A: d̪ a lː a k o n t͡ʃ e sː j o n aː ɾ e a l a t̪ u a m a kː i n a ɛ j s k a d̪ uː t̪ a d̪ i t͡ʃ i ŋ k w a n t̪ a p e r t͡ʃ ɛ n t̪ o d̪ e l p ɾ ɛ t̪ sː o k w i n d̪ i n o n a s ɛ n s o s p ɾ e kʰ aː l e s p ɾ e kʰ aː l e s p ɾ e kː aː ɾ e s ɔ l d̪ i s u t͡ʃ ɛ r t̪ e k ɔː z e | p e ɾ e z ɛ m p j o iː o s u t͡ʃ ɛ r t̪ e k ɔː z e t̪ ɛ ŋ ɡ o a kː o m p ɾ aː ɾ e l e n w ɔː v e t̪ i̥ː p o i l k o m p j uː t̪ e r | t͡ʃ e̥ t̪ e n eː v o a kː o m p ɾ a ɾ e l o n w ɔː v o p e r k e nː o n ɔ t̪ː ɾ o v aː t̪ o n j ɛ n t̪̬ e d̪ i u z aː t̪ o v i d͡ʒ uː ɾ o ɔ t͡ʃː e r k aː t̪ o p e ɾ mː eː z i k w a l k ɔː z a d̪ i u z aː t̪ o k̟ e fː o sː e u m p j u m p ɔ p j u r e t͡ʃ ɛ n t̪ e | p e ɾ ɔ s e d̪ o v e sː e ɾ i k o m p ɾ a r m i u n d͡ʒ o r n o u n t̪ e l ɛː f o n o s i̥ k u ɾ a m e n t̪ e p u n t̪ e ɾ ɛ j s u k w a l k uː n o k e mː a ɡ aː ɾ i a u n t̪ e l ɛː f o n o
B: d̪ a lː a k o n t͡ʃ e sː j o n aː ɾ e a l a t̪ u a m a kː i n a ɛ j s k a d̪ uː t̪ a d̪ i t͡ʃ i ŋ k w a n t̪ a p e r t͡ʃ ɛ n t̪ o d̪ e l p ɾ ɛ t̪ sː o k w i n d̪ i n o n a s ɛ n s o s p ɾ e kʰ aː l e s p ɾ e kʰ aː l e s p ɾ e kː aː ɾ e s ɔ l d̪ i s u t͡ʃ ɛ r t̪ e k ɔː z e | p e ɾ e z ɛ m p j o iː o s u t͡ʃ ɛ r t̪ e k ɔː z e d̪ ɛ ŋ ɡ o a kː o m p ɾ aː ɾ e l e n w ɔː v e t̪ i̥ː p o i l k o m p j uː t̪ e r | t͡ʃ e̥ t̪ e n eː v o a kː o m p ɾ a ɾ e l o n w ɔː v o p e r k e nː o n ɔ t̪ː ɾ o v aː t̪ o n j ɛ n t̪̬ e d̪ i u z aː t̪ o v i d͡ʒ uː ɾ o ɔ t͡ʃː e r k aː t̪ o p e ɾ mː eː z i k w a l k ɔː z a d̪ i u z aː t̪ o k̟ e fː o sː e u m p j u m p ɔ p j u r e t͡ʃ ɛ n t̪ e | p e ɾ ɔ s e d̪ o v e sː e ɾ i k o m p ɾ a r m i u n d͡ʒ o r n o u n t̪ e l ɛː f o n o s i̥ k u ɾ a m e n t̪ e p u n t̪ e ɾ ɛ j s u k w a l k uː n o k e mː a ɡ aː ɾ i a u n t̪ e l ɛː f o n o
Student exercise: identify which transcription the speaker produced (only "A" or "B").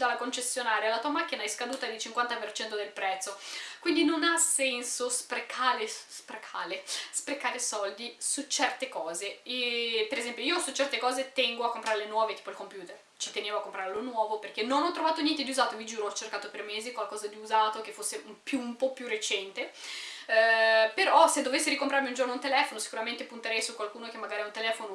A